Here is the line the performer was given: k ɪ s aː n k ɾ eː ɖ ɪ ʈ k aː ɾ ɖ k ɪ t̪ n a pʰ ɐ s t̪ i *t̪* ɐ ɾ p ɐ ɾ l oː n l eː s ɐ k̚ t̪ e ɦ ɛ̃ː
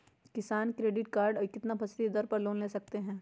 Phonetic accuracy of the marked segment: incorrect: d̪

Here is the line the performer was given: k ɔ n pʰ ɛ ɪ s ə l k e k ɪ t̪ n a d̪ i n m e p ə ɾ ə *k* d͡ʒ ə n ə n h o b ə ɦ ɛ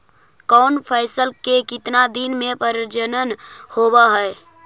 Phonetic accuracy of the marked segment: incorrect: none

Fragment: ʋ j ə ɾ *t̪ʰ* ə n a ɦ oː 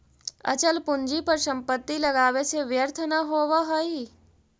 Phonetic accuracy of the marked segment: correct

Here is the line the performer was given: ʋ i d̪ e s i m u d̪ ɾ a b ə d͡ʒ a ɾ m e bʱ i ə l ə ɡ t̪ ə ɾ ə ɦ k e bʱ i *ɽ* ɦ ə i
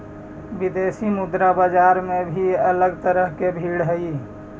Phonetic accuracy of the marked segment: correct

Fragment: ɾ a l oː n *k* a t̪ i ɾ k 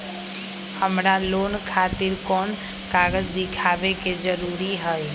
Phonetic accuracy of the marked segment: incorrect: kʰ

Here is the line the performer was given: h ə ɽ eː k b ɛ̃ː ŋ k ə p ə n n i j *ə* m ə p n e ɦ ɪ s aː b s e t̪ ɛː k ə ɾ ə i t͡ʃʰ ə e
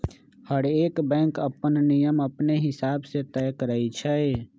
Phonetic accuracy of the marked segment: correct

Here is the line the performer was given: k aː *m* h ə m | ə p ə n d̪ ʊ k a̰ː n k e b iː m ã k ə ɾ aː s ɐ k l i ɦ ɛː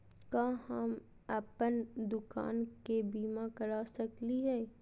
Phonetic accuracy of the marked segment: incorrect: none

